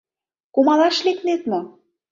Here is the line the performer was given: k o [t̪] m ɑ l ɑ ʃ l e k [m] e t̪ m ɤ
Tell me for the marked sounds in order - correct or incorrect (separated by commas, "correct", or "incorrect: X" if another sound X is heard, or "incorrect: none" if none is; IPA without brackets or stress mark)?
incorrect: none, incorrect: n